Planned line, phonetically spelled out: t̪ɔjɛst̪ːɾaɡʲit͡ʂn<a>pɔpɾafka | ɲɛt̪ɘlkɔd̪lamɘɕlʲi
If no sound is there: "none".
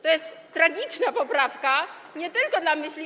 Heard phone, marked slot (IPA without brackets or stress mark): a